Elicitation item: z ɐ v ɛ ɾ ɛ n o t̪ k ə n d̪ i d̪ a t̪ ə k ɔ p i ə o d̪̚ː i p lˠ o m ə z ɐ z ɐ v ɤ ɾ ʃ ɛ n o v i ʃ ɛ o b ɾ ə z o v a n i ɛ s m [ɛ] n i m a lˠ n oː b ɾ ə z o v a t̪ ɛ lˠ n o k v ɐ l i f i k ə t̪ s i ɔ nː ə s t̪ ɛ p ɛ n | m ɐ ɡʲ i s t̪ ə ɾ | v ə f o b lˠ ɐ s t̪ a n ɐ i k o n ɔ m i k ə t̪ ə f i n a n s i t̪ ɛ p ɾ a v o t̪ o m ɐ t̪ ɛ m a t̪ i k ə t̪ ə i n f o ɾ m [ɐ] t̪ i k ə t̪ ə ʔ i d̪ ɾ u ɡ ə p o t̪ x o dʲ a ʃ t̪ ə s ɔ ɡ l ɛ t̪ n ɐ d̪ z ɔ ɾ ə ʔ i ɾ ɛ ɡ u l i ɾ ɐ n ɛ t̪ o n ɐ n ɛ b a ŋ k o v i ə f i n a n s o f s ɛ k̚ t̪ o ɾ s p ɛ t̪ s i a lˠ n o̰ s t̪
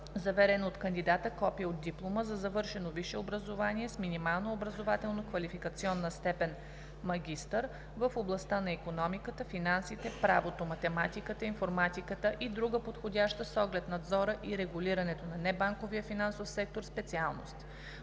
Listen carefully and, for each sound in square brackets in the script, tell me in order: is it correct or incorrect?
incorrect: i, incorrect: a

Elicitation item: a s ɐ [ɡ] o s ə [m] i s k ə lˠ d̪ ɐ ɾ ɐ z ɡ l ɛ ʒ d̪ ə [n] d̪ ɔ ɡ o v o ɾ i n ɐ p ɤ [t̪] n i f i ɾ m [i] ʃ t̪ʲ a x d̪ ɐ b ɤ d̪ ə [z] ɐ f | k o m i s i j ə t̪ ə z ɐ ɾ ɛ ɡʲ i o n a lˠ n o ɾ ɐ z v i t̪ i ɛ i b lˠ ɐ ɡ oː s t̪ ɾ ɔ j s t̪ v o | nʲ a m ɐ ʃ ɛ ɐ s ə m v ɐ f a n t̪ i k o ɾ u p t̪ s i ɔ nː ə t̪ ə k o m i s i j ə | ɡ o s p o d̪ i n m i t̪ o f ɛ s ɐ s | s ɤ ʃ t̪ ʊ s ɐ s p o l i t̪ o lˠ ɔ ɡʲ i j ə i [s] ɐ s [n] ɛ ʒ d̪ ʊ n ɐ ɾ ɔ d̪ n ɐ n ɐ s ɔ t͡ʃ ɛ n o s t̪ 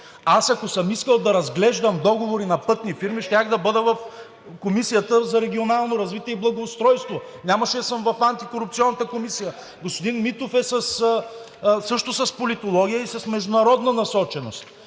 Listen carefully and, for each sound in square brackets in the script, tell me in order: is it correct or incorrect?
incorrect: k, correct, incorrect: m, correct, correct, incorrect: v, correct, incorrect: m

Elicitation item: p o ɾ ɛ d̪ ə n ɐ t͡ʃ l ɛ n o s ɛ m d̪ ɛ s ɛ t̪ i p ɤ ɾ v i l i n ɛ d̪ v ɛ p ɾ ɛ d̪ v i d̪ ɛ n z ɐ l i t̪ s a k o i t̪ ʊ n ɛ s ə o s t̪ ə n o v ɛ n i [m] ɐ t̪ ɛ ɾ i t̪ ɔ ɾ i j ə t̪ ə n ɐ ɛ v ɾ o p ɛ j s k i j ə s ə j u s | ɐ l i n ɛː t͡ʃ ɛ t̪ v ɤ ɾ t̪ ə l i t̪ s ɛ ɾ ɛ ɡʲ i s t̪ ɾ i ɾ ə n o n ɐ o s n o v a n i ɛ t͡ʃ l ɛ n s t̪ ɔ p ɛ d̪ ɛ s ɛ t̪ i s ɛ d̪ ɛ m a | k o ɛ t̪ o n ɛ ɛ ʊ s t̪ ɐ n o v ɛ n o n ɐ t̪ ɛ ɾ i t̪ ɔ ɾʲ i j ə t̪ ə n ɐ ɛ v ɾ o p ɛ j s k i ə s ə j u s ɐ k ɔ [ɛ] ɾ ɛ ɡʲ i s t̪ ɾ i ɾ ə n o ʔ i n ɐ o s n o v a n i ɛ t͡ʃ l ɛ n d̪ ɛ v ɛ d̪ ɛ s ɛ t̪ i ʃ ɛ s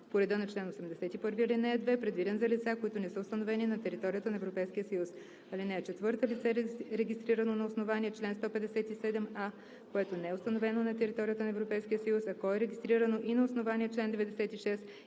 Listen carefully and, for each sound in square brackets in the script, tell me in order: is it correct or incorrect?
incorrect: n, correct

